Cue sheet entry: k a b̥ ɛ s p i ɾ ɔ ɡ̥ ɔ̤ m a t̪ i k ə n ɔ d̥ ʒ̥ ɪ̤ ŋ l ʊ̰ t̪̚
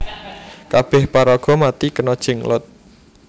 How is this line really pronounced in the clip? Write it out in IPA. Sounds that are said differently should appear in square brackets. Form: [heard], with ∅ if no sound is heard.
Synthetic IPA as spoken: k a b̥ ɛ [h] p [a] ɾ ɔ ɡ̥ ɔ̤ m a t̪ i k ə n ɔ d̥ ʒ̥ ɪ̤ ŋ l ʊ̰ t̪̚